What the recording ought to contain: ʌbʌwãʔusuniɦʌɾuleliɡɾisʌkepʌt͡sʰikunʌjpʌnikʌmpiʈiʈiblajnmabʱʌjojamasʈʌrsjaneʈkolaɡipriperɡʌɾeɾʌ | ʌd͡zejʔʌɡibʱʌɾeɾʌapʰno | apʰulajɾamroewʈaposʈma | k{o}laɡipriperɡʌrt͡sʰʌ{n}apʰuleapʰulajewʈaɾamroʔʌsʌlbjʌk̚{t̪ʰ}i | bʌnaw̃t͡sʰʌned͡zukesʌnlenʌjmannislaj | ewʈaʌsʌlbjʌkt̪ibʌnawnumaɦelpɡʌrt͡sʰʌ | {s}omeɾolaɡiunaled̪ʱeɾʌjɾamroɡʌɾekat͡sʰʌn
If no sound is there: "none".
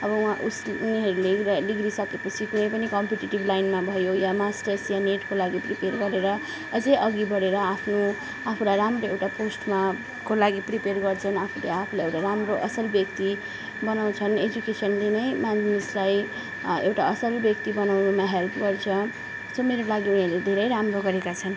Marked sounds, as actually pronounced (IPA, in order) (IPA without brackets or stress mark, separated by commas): o, n, t̪, s